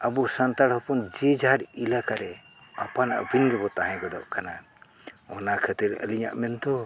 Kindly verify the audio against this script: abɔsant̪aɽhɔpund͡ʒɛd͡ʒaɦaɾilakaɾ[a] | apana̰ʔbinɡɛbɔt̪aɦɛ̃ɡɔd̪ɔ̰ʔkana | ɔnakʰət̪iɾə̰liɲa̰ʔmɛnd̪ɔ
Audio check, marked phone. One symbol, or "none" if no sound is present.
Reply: ɛ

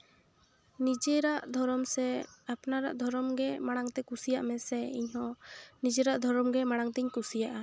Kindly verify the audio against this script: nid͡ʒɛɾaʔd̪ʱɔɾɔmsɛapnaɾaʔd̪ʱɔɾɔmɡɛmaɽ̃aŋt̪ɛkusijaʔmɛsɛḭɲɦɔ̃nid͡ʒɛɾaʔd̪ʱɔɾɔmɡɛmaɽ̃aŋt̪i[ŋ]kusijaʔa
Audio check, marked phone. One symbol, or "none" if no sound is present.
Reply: ɲ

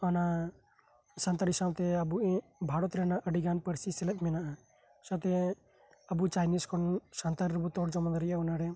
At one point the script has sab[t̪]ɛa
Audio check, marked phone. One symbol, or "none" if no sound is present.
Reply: t̪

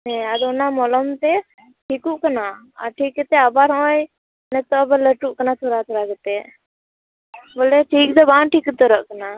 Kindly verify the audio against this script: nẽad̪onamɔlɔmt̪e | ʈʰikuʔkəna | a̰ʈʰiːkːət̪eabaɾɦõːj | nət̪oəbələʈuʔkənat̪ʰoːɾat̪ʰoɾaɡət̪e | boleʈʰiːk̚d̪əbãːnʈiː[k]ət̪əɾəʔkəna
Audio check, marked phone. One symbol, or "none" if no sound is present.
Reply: k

